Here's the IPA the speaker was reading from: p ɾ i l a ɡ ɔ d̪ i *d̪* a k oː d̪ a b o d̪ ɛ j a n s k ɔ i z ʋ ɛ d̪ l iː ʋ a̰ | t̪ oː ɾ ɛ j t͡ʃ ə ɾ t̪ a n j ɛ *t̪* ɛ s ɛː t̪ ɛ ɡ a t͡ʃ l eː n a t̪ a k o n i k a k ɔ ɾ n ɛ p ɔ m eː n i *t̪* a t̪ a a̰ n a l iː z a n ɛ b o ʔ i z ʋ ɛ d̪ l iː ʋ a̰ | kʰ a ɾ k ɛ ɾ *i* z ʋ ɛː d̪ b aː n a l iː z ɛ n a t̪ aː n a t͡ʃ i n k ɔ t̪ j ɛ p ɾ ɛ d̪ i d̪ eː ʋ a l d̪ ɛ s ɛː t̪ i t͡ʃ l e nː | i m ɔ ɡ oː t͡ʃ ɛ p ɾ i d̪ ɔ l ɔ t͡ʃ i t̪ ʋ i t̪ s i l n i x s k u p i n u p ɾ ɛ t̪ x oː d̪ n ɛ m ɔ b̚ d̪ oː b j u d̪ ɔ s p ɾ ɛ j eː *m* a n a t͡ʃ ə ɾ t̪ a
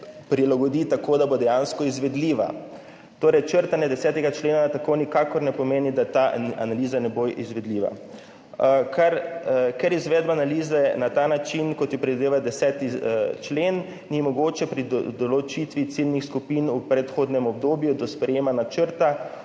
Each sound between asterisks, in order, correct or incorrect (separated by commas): incorrect, incorrect, incorrect, correct, correct